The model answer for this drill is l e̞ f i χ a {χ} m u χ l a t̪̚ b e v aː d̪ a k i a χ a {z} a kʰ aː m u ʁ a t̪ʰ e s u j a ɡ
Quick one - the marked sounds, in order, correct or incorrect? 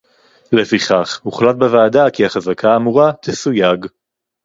correct, correct

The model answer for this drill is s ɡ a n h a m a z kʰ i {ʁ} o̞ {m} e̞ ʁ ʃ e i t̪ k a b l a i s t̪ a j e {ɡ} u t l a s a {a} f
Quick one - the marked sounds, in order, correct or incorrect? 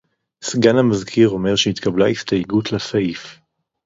correct, correct, correct, incorrect: i

